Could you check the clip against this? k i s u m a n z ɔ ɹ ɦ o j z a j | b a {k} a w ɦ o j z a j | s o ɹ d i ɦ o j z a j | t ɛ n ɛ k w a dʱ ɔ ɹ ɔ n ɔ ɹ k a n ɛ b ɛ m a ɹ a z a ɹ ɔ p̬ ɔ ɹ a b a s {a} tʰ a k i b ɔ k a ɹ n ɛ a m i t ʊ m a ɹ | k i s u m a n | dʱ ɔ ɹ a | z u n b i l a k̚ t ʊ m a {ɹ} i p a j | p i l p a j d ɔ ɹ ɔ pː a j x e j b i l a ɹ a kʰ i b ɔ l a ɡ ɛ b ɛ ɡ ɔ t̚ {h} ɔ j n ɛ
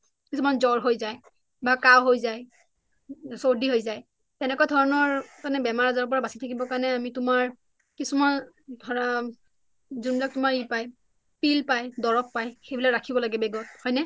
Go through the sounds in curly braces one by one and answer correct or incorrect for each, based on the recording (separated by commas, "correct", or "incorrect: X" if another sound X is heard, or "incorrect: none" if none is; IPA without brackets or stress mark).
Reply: correct, incorrect: i, correct, correct